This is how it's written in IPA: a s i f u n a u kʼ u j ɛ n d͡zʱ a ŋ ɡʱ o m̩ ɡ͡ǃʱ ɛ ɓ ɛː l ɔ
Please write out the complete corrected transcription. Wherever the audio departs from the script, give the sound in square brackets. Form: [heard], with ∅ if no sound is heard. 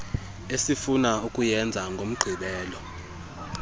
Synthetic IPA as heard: [e] s i f u n a u kʼ u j ɛ n d͡zʱ a ŋ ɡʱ o m̩ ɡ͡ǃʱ [i] ɓ ɛː l ɔ

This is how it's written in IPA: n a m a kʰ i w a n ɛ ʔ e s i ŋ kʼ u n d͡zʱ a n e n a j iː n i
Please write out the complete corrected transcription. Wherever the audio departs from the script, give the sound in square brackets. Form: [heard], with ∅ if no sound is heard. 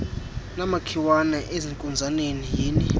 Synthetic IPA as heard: n a m a kʰ i w a n ɛ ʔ e [z] i ŋ kʼ u n d͡zʱ a n e n [i] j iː n i

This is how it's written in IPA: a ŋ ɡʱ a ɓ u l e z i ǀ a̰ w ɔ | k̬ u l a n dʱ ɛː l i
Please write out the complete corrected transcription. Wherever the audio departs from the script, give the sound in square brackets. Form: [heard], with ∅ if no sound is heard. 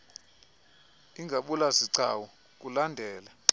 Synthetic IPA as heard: [i] ŋ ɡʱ a ɓ u l [a] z i ǀ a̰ w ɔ | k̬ u l a n dʱ ɛː l [a]

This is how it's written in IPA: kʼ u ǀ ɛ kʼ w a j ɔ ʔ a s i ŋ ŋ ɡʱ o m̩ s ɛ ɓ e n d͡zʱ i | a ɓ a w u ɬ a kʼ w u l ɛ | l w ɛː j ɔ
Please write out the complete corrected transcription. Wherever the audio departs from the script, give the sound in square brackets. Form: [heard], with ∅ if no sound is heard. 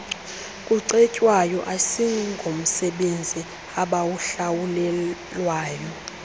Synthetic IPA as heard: kʼ u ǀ ɛ [cʼ] w a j ɔ ʔ a s i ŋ ŋ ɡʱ o m̩ s ɛ ɓ e n d͡zʱ i | a ɓ a w u ɬ a [∅] w u l ɛ | l w [aː] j ɔ

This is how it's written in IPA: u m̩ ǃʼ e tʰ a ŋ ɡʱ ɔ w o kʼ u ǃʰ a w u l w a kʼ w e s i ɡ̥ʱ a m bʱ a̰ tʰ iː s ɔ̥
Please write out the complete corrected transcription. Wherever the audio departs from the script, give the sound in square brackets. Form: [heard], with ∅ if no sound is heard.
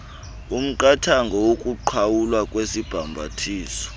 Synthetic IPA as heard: u m̩ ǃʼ [a] tʰ a ŋ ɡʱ ɔ w o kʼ u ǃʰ a w u l w a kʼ w e s i [b̥ʱ] a m bʱ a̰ tʰ iː s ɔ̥

